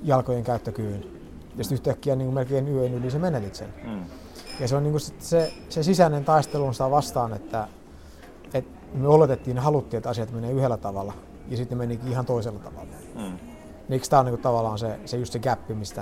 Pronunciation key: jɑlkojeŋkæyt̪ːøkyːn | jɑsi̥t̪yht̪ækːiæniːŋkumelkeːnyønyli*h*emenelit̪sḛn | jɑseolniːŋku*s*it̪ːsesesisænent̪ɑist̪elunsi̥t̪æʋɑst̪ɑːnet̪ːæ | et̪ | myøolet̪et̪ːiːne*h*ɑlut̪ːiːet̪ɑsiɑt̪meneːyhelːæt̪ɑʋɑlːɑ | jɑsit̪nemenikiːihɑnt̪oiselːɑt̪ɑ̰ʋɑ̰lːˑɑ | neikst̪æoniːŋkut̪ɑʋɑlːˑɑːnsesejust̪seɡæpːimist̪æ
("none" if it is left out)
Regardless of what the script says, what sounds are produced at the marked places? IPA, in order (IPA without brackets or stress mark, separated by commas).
s, s, h